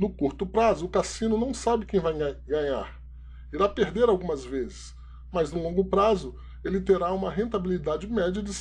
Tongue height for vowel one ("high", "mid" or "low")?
high